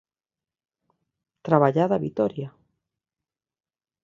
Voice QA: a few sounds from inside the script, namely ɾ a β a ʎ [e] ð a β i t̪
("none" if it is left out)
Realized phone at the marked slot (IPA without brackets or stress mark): a